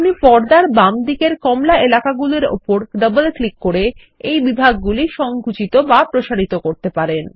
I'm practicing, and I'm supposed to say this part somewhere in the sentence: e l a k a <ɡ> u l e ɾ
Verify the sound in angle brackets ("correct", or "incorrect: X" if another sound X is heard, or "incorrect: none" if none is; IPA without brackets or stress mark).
correct